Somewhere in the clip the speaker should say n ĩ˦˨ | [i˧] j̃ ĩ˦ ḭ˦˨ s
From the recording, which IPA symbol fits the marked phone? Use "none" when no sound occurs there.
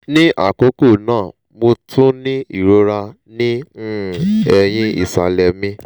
ɛ˧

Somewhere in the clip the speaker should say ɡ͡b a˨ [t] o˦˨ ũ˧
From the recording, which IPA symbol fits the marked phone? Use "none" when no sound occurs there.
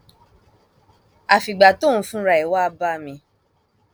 t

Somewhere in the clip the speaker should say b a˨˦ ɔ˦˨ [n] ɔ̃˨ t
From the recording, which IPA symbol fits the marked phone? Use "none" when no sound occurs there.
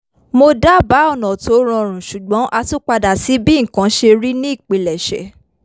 n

